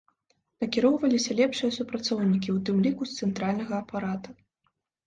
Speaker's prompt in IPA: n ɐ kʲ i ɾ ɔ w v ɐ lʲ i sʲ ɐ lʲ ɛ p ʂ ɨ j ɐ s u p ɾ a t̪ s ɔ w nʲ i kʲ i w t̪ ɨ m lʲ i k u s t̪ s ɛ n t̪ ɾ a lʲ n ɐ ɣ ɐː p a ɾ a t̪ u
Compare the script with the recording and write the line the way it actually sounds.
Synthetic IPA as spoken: n ɐ kʲ i ɾ ɔ w v ɐ lʲ i sʲ ɐ lʲ ɛ p ʂ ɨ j ɐ s u p ɾ a t̪ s ɔ w nʲ i kʲ i w t̪ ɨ m lʲ i k u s t̪ s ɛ n t̪ ɾ a lʲ n ɐ ɣ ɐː p a ɾ a t̪ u